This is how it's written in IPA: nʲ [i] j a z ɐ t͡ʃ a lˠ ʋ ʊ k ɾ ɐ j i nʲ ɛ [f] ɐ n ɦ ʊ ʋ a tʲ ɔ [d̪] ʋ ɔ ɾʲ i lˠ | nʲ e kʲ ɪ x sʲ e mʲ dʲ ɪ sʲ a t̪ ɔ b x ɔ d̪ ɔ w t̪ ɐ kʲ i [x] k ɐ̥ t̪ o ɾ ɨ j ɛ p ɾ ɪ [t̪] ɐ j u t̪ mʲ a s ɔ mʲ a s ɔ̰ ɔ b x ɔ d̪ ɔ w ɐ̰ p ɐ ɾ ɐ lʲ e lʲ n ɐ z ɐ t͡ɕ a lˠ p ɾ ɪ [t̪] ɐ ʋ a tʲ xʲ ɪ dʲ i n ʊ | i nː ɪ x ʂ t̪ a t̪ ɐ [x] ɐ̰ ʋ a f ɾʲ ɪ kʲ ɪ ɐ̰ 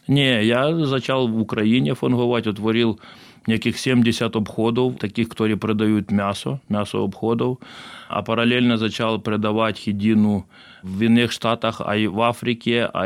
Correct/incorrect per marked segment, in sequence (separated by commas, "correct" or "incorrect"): incorrect, correct, incorrect, correct, incorrect, incorrect, correct